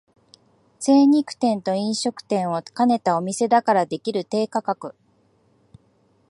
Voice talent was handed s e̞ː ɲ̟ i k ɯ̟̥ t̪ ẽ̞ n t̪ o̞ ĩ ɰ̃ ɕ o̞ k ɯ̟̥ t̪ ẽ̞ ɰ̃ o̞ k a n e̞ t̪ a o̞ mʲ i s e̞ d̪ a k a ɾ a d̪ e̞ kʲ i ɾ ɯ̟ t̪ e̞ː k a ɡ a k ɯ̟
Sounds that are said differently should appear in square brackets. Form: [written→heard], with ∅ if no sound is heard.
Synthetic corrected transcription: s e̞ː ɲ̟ i k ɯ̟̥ t̪ ẽ̞ n t̪ o̞ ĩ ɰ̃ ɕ o̞ k ɯ̟̥ t̪ ẽ̞ ɰ̃ o̞ k a n e̞ t̪ a o̞ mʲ i s e̞ d̪ a k a ɾ a d̪ e̞ kʲ i ɾ ɯ̟ t̪ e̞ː k a [ɡ→k] a k ɯ̟